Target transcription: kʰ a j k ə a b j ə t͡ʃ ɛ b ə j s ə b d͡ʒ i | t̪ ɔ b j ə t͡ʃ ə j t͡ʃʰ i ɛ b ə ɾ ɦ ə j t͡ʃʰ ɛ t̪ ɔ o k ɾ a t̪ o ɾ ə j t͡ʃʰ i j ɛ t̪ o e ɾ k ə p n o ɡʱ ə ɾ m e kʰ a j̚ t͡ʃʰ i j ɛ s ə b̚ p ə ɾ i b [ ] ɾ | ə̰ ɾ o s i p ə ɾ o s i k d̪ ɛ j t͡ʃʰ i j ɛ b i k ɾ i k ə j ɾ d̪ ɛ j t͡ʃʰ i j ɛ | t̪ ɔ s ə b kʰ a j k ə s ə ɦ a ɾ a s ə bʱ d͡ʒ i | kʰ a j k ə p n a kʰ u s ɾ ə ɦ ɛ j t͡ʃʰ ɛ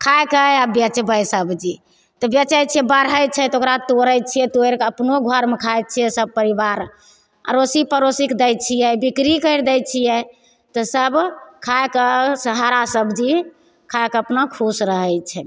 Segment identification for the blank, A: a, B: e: A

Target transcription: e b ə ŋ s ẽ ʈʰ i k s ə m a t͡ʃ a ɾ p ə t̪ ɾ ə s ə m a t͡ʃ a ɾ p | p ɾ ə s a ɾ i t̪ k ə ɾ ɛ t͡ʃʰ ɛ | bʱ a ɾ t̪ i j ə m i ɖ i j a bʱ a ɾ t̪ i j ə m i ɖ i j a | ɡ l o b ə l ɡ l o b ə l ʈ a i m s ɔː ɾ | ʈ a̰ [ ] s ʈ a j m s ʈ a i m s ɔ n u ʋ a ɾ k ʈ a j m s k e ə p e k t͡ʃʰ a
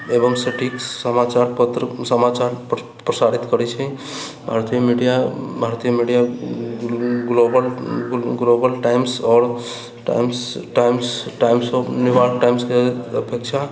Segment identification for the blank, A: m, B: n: A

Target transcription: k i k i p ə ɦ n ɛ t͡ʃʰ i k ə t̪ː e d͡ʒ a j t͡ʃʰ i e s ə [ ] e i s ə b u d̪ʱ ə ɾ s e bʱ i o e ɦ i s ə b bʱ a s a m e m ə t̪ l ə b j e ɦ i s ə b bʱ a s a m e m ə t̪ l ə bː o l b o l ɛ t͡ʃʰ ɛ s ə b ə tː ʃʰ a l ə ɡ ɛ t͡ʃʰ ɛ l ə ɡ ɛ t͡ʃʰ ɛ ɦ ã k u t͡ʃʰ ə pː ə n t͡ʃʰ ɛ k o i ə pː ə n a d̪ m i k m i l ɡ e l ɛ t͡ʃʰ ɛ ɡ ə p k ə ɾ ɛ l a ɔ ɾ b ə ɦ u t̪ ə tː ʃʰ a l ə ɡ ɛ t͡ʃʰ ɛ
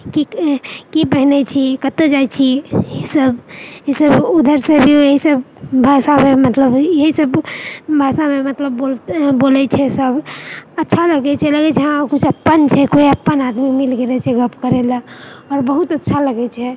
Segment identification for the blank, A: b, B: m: A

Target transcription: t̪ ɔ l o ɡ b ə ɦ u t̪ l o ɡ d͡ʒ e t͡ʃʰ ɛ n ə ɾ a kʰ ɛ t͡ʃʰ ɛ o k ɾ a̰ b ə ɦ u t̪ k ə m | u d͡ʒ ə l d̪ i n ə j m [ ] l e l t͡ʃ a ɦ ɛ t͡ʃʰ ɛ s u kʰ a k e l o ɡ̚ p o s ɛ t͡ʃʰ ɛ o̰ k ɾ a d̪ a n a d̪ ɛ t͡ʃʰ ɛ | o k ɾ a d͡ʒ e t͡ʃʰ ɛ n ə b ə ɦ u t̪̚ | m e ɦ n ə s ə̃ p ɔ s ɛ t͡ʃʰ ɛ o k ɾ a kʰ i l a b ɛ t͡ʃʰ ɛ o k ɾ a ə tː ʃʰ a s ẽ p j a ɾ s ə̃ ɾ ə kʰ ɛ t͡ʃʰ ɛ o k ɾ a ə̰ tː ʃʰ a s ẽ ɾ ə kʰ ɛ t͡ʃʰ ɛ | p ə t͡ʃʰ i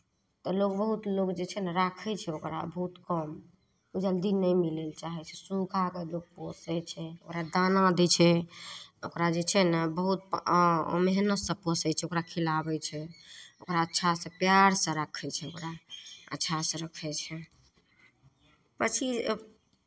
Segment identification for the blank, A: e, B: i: B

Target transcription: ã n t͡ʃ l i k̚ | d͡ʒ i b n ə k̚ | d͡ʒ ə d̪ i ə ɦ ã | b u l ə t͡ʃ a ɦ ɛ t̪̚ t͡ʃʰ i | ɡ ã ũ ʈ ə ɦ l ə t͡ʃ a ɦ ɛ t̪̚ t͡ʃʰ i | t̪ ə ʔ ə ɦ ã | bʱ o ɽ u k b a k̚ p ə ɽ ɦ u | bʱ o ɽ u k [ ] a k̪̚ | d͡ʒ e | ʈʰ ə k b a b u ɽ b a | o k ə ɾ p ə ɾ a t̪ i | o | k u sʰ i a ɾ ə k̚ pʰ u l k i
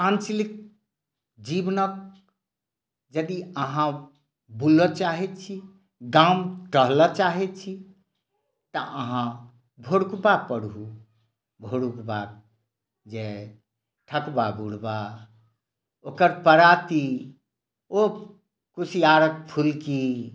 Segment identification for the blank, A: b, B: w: A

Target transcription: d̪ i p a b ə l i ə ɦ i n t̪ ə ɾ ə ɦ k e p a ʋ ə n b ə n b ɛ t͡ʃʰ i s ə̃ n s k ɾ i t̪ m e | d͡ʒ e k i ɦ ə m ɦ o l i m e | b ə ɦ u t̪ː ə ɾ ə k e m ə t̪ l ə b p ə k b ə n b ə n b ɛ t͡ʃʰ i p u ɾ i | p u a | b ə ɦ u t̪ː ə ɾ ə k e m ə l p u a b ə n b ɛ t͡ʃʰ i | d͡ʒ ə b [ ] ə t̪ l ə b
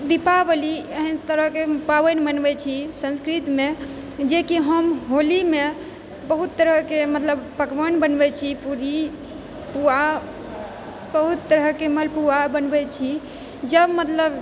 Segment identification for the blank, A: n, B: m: B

